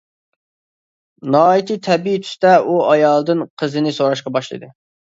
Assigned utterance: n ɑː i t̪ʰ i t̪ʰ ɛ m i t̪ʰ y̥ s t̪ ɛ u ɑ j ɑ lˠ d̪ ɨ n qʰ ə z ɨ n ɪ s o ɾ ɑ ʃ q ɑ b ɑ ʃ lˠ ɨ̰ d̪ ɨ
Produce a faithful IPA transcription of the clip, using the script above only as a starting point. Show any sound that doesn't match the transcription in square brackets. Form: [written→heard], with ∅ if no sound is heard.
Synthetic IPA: n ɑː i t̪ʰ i t̪ʰ ɛ [m→b] i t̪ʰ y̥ s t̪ ɛ u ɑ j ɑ lˠ d̪ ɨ n qʰ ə z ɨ n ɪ s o ɾ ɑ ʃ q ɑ b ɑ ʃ lˠ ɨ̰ d̪ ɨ